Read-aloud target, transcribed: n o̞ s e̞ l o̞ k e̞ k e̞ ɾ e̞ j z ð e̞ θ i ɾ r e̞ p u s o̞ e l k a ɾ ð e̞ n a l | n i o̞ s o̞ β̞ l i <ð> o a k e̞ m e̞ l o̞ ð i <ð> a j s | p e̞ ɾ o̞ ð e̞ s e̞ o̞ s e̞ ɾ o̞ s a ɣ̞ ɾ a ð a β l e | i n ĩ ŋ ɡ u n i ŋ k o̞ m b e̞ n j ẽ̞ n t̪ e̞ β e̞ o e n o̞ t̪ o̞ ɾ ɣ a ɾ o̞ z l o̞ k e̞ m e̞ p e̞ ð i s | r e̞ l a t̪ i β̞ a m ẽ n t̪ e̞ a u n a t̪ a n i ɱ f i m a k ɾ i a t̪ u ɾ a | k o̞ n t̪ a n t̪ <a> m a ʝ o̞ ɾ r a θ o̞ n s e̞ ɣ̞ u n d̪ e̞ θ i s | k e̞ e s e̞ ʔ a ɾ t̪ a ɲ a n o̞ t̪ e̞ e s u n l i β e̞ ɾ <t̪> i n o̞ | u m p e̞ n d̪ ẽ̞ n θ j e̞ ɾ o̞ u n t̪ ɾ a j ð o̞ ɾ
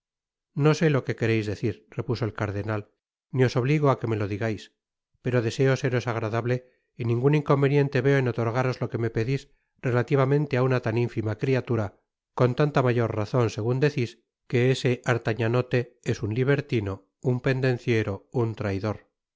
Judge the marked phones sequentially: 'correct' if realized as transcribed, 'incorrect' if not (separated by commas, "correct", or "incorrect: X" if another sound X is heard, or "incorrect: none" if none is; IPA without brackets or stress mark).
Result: incorrect: ɣ, incorrect: ɣ, correct, correct